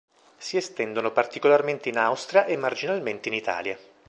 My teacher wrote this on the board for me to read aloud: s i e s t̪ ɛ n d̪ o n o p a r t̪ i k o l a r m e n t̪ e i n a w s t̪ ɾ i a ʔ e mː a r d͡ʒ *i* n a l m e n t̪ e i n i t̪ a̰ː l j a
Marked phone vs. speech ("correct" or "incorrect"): correct